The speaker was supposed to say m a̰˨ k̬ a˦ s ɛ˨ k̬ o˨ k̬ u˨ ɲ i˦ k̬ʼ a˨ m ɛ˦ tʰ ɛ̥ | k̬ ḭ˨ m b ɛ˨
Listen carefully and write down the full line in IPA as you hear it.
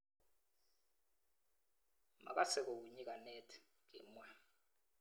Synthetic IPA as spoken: m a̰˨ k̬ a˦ s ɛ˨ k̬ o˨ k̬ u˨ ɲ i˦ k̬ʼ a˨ n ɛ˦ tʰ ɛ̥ | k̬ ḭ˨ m w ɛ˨